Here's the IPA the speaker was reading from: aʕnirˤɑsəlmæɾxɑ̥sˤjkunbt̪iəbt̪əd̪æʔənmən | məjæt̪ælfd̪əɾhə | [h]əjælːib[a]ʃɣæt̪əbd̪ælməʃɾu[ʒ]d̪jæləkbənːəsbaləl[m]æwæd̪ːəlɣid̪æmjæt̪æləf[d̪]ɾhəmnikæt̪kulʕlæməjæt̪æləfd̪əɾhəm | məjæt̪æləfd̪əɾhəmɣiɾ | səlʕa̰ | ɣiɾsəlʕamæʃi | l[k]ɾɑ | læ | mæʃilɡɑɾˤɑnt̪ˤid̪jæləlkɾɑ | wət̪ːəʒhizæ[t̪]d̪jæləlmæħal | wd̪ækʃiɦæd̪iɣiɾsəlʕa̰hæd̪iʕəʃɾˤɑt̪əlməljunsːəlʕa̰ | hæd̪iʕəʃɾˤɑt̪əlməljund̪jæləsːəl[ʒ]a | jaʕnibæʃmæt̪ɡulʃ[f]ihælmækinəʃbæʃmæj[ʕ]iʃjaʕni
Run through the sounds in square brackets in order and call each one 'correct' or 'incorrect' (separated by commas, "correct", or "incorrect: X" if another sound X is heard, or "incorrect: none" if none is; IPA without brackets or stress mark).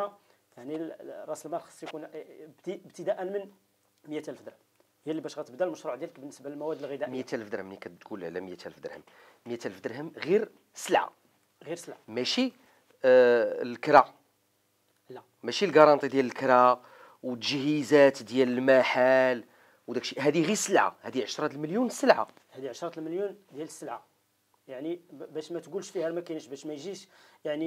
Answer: correct, incorrect: æ, incorrect: ʕ, correct, correct, correct, correct, incorrect: ʕ, correct, incorrect: ʒ